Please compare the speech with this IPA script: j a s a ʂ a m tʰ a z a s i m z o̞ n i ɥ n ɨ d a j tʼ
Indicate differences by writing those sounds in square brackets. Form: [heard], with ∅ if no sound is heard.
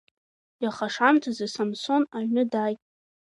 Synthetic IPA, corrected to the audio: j a [χ] a ʂ a m tʰ a z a s [a] m [s] o̞ n [a] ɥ n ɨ d a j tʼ